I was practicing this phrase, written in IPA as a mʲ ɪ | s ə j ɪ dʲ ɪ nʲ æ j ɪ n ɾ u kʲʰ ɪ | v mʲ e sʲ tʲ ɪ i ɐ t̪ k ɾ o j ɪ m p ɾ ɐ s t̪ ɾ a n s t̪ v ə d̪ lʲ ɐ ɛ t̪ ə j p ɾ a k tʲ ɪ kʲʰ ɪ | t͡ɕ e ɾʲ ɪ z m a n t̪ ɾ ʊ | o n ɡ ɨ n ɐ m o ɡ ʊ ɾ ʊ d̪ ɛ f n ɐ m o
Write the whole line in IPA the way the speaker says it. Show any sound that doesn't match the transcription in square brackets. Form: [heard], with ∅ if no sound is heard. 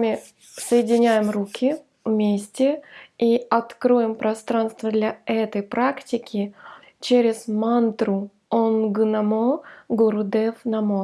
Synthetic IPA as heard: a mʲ ɪ | s ə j ɪ dʲ ɪ nʲ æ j ɪ [m] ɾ u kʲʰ ɪ | v mʲ e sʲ tʲ ɪ i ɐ t̪ k ɾ o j ɪ m p ɾ ɐ s t̪ ɾ a n s t̪ v ə d̪ lʲ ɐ ɛ t̪ ə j p ɾ a k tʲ ɪ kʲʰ ɪ | t͡ɕ e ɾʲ ɪ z m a n t̪ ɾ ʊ | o n ɡ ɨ n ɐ m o ɡ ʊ ɾ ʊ d̪ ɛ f n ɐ m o